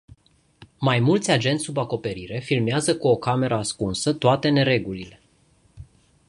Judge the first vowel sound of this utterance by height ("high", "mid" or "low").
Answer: low